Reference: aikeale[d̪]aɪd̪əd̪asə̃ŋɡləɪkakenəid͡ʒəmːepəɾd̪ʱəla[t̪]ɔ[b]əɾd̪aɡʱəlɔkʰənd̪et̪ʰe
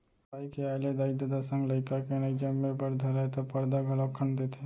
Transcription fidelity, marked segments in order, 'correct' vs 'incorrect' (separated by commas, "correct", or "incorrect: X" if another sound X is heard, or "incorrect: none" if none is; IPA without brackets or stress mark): correct, correct, incorrect: p